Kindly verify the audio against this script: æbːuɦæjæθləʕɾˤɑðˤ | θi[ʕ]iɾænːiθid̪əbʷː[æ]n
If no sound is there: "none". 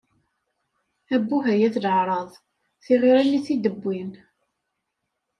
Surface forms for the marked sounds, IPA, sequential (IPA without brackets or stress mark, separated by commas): ʁ, i